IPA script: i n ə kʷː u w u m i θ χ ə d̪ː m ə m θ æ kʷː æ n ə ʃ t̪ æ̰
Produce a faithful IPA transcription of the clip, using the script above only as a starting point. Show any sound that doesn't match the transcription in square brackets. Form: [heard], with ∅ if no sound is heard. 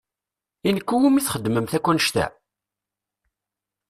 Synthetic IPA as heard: i n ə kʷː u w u m i θ χ ə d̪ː m ə m θ æ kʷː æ n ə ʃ t̪ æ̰